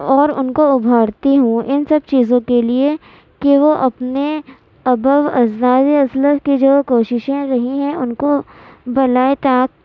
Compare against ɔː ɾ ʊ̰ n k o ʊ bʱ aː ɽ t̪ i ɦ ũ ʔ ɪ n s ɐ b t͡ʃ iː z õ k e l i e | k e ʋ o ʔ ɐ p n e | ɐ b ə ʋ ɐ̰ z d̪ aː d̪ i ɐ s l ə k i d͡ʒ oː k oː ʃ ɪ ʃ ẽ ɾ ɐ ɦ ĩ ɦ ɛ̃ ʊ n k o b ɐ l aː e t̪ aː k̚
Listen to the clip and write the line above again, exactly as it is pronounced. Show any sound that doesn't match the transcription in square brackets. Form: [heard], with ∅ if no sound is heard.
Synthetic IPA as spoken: ɔː ɾ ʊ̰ n k o ʊ bʱ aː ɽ t̪ i ɦ ũ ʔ ɪ n s ɐ b t͡ʃ iː z õ k e l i e | k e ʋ o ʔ ɐ p n e | ɐ b ə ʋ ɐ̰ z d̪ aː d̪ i ɐ s l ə k i d͡ʒ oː k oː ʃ ɪ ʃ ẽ ɾ ɐ ɦ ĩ ɦ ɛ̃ ʊ n k o b ɐ l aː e t̪ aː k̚